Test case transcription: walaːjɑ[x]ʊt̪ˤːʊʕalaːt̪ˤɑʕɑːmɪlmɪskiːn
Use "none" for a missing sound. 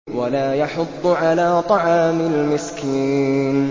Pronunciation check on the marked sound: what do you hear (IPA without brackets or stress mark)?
ħ